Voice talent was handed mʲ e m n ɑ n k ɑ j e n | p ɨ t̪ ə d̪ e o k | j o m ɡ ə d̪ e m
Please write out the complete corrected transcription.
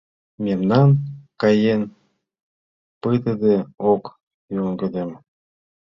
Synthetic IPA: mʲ e m n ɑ n k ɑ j e n | p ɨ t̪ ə d̪ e o k | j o ŋ ɡ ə d̪ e m